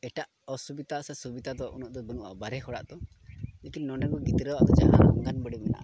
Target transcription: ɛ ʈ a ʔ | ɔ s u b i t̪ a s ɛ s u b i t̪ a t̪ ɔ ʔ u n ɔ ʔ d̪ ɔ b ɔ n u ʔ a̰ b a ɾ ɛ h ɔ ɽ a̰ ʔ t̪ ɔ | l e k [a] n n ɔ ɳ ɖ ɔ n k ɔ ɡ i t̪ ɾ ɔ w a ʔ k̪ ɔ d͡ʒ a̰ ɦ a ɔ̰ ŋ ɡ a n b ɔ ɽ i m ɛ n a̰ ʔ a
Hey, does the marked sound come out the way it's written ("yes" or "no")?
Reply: no